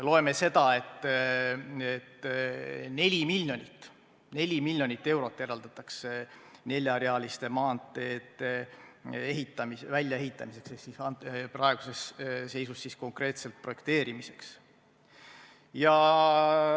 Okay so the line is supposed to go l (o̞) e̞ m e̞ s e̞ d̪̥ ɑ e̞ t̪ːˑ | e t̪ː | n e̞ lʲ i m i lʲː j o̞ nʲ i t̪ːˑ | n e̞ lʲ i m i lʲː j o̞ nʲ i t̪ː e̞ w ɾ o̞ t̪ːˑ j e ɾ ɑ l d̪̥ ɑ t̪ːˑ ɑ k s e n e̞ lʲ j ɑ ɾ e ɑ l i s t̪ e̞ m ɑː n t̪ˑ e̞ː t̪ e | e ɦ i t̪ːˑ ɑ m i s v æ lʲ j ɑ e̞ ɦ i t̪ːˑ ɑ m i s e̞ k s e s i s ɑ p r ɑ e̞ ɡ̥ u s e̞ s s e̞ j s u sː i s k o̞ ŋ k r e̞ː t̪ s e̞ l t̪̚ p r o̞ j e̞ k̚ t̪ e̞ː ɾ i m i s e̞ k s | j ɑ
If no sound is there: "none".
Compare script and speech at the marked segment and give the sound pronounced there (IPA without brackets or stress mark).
o̞